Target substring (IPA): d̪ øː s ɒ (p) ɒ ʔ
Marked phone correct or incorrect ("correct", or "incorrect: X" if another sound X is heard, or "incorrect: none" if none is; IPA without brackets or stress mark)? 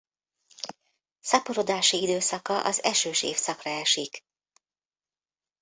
incorrect: k